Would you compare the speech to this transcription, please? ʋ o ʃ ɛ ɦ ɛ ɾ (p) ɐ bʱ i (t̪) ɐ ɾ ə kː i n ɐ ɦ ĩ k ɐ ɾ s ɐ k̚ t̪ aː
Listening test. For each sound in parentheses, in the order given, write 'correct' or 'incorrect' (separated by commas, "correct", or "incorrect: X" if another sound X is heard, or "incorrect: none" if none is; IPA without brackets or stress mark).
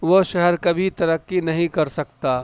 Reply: incorrect: k, correct